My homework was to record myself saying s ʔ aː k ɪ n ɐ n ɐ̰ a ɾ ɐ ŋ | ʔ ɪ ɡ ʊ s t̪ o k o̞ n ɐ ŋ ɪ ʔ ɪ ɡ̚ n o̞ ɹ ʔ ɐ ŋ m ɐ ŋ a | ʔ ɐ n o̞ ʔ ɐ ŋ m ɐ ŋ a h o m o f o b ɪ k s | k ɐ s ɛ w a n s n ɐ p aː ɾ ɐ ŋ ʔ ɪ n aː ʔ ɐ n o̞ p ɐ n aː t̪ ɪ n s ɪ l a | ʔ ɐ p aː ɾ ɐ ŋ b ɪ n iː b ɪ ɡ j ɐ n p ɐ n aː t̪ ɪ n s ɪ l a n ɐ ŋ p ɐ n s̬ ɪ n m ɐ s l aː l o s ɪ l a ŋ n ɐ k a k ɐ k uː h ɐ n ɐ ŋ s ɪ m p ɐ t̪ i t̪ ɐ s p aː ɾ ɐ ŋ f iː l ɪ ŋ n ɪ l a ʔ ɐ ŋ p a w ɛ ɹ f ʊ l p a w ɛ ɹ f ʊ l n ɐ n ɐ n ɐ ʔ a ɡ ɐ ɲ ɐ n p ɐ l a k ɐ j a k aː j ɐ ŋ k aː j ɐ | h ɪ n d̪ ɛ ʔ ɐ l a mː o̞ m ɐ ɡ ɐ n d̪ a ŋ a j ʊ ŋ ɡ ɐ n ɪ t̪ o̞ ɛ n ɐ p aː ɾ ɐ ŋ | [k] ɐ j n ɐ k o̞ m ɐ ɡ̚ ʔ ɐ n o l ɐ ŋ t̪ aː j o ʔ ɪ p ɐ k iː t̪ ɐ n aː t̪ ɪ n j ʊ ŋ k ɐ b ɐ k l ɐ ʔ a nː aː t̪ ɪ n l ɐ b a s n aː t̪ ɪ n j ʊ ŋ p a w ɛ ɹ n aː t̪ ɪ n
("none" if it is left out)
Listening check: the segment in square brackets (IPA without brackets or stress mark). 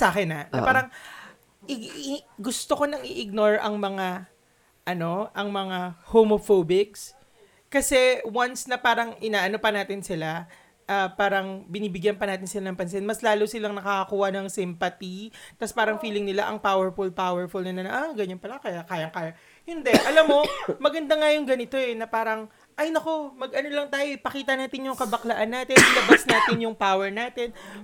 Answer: ʔ